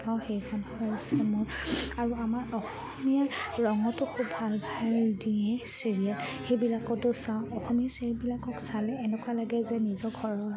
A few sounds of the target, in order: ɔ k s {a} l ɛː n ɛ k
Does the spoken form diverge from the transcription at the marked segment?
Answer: no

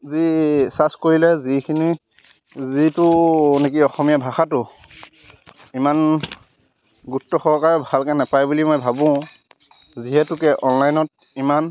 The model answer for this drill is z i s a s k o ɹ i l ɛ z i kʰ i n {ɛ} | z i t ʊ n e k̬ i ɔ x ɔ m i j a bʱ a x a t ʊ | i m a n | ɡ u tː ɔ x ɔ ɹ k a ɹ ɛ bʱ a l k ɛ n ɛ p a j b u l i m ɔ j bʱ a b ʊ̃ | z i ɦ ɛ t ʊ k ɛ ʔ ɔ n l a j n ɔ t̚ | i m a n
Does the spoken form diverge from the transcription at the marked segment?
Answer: yes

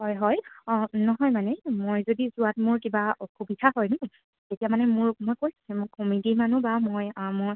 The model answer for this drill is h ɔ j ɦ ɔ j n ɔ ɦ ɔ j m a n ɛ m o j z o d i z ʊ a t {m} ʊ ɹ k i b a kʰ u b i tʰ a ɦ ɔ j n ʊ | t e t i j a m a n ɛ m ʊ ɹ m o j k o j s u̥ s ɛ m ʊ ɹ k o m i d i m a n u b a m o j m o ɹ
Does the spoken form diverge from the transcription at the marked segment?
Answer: no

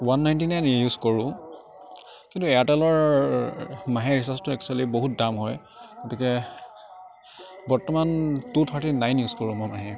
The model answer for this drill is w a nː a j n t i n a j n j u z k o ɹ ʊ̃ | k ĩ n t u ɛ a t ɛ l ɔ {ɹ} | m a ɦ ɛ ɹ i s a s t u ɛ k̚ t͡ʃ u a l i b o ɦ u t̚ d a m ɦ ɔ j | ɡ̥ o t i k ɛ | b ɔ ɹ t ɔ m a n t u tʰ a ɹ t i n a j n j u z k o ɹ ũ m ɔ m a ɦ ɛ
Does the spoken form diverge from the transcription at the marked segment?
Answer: no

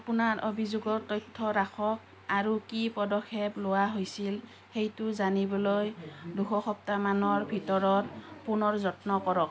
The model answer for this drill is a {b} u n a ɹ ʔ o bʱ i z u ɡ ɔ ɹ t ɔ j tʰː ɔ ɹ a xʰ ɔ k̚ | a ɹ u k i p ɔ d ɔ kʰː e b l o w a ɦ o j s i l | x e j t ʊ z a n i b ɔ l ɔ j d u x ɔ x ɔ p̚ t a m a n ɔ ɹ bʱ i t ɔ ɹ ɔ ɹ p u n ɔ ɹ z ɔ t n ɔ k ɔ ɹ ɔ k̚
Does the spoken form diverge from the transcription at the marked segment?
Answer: yes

